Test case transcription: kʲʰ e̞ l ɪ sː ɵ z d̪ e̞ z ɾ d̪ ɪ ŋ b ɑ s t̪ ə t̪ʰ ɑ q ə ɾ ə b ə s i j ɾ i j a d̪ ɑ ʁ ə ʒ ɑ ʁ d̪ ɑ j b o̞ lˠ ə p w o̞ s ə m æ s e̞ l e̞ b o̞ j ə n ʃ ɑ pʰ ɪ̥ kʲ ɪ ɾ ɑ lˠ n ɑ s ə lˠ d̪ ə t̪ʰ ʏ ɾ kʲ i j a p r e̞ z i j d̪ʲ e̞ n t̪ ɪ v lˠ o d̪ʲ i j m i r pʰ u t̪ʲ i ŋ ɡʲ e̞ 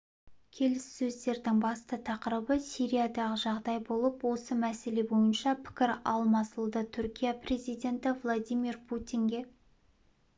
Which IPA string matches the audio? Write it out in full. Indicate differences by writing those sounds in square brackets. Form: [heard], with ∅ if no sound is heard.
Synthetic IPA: kʲʰ e̞ l ɪ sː ɵ z d̪ e̞ [∅] ɾ d̪ ɪ ŋ b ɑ s t̪ ə t̪ʰ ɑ q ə ɾ ə b ə s i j ɾ i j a d̪ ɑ ʁ ə ʒ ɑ ʁ d̪ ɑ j b o̞ lˠ ə p w o̞ s ə m æ s e̞ l e̞ b o̞ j ə n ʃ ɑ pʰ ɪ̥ kʲ ɪ ɾ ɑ lˠ [m] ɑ s ə lˠ d̪ ə t̪ʰ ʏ ɾ kʲ i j a p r e̞ z i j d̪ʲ e̞ n t̪ ɪ v lˠ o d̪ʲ i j m i r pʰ u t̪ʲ i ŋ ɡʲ e̞